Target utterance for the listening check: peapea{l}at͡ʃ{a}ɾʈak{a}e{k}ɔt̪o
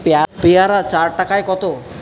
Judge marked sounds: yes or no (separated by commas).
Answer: no, yes, yes, yes